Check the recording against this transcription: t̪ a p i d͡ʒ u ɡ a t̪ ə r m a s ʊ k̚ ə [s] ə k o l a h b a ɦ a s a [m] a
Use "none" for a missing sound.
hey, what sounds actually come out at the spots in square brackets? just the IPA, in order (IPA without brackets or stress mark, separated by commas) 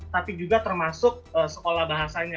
s, ɲ